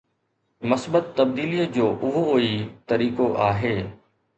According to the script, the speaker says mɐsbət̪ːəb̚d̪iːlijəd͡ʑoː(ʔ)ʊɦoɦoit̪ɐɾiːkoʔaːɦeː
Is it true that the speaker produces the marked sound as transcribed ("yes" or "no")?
yes